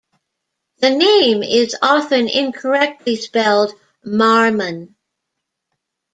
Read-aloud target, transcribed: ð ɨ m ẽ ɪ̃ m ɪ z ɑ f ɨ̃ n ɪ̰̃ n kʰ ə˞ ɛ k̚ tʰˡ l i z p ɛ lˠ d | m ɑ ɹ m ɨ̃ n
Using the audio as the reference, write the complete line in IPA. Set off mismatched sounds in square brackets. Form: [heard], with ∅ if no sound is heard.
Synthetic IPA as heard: ð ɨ [n] ẽ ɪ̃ m ɪ z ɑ f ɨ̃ n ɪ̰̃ n kʰ ə˞ ɛ k̚ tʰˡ l i [s] p ɛ lˠ d | m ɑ ɹ m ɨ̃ n

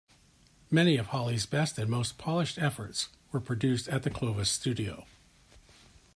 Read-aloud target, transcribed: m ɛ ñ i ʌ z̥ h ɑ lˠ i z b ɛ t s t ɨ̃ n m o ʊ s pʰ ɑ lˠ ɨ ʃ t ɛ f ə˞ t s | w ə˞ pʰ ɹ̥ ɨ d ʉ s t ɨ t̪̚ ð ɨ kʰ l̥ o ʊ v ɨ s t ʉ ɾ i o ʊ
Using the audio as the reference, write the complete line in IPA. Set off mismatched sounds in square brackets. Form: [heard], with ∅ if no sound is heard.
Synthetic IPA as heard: m ɛ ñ i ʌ [v̥] h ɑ lˠ i z b ɛ [∅] s t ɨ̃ n m o ʊ s pʰ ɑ lˠ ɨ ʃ t ɛ f ə˞ t s | w ə˞ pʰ ɹ̥ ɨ d ʉ s t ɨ t̪̚ ð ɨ kʰ l̥ o ʊ v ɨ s t ʉ ɾ i o ʊ

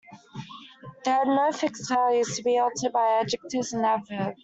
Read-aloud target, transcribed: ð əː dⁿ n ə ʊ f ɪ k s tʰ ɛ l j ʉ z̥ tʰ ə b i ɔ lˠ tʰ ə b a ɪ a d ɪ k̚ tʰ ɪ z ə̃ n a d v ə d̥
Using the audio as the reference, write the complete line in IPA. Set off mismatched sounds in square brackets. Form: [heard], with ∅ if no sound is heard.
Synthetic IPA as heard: ð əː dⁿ n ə ʊ f ɪ k s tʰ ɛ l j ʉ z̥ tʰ ə b i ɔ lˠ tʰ ə b a ɪ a [d͡ʒ] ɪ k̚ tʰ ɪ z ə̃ n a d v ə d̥

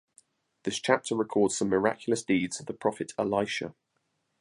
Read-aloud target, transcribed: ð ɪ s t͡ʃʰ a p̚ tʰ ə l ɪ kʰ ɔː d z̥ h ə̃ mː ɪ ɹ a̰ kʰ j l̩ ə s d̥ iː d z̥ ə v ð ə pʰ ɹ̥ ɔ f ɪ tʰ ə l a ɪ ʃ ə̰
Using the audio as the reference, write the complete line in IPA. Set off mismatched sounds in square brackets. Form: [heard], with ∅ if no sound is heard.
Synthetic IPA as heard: ð ɪ s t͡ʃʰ a p̚ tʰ ə [ɹ] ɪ kʰ ɔː d z̥ [s] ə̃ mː ɪ ɹ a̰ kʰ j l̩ ə s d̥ iː d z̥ ə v ð ə pʰ ɹ̥ [ɒ] f ɪ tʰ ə l a ɪ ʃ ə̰

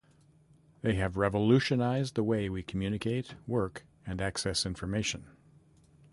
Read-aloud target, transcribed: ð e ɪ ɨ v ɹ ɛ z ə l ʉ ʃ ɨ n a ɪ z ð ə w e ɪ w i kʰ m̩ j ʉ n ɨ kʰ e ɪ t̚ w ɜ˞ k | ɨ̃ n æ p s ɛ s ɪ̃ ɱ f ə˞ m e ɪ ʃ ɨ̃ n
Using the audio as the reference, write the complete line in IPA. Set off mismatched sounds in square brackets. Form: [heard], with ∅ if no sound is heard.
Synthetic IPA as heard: ð e ɪ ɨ v ɹ ɛ [v] ə l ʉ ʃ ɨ n a ɪ z ð ə w e ɪ w i kʰ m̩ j ʉ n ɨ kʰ e ɪ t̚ w ɜ˞ k | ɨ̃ n æ [k] s ɛ s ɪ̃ ɱ f ə˞ m e ɪ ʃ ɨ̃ n

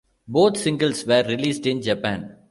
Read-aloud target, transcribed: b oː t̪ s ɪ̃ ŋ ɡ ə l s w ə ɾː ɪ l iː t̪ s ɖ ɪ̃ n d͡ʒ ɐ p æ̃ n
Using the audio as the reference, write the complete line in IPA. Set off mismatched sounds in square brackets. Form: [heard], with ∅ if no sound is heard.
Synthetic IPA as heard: b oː t̪ s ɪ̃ ŋ ɡ ə l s [ʋ] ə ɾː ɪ l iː [∅] s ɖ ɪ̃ n d͡ʒ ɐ p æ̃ n

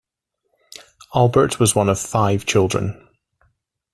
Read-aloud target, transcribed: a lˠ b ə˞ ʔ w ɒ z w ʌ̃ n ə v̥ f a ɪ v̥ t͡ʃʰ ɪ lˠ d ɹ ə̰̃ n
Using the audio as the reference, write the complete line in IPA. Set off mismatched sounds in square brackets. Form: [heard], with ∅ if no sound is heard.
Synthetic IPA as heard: a lˠ b ə˞ ʔ w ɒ z w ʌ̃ n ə v̥ f a ɪ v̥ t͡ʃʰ ɪ lˠ d ɹ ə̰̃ n

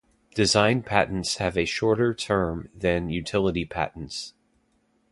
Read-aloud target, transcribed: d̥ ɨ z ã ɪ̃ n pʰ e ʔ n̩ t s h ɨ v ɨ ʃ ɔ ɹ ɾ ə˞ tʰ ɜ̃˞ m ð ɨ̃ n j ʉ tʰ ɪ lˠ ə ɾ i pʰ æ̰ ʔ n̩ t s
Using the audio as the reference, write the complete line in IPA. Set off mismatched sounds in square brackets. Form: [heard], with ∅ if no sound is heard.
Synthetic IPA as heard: d̥ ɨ z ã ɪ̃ n pʰ [æ] ʔ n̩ t s h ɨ v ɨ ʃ ɔ ɹ ɾ ə˞ tʰ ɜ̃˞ m ð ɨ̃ n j ʉ tʰ ɪ lˠ ə ɾ i pʰ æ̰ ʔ n̩ t s

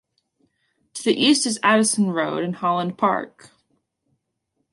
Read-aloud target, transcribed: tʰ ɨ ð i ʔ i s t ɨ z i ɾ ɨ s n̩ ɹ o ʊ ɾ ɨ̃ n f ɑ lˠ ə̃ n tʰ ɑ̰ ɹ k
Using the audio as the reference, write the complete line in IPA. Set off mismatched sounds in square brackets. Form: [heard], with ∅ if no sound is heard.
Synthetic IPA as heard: tʰ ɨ ð i ʔ i s t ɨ z [æ] ɾ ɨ s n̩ ɹ o ʊ ɾ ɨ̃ n [h] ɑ lˠ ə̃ n [pʰ] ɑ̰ ɹ k

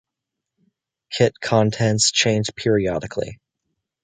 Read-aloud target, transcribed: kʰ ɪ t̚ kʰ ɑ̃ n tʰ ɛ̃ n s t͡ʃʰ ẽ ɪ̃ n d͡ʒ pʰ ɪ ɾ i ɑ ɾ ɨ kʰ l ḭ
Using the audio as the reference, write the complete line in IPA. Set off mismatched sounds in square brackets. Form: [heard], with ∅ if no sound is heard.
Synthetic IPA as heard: kʰ ɪ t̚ kʰ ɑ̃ n tʰ ɛ̃ n s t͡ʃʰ ẽ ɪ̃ n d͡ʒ pʰ ɪ [ɹ] i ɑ ɾ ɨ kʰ l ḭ

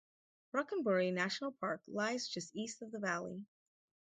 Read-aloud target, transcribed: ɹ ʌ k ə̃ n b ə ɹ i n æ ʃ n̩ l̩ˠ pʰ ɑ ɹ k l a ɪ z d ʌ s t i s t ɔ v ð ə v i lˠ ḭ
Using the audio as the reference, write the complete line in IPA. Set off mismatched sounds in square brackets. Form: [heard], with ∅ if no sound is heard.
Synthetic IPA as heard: ɹ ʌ k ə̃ n b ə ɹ i n æ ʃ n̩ l̩ˠ pʰ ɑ ɹ k l a ɪ z [d͡ʒ] ʌ s t i s t [ʌ] v ð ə v [æ] lˠ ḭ

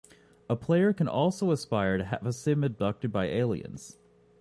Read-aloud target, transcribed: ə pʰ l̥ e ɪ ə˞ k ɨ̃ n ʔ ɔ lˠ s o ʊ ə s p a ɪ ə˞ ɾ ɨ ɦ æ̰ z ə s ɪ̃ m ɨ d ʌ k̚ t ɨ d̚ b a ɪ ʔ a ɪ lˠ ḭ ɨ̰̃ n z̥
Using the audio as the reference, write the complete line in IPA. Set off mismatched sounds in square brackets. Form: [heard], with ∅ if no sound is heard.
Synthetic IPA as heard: ə pʰ l̥ e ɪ ə˞ k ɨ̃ n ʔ ɔ lˠ s o ʊ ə s p a ɪ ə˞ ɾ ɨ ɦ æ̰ [v] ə s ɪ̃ m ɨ d ʌ k̚ t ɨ d̚ b a ɪ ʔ [e] ɪ lˠ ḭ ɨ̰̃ n z̥

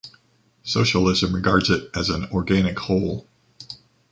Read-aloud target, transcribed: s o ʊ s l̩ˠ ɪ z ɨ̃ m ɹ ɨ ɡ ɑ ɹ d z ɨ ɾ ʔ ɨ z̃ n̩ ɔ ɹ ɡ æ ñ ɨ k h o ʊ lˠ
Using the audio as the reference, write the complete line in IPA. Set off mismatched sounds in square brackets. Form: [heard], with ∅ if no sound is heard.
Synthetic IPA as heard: s o ʊ [ʃ] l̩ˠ ɪ z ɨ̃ m ɹ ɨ ɡ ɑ ɹ d z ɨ ɾ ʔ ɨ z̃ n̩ ɔ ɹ ɡ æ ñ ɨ k h o ʊ lˠ

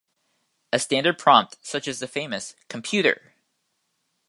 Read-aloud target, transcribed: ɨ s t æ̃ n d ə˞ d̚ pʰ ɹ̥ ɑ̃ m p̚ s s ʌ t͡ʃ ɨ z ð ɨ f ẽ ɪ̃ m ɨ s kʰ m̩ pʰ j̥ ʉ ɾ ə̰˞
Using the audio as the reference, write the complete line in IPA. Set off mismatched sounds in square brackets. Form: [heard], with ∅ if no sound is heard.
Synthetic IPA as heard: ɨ s t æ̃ n d ə˞ d̚ pʰ ɹ̥ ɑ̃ m p̚ [t] s ʌ t͡ʃ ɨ z ð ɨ f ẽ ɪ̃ m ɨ s kʰ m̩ pʰ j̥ ʉ ɾ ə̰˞

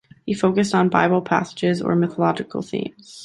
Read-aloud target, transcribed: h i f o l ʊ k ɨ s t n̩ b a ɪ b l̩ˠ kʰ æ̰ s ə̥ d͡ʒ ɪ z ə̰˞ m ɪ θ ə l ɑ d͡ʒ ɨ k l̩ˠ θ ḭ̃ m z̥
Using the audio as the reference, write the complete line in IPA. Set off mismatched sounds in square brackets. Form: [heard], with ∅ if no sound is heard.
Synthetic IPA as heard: h i f o [∅] ʊ k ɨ s t n̩ b a ɪ b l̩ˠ [pʰ] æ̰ s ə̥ d͡ʒ ɪ z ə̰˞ m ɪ θ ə l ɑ d͡ʒ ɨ k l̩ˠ θ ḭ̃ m z̥

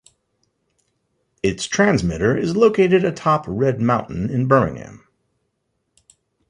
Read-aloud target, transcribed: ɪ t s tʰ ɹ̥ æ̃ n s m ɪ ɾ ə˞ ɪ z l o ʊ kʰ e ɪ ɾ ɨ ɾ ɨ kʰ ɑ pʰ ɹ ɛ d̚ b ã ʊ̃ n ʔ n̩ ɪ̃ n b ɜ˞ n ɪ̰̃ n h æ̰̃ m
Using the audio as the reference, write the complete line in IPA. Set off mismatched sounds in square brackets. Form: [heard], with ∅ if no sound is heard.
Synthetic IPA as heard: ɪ t s tʰ ɹ̥ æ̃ n [z] m ɪ ɾ ə˞ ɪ z l o ʊ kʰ e ɪ ɾ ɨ ɾ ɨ [tʰ] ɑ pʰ ɹ ɛ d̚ [m] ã ʊ̃ n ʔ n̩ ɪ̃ n b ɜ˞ [m] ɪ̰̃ [ŋ] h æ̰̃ m

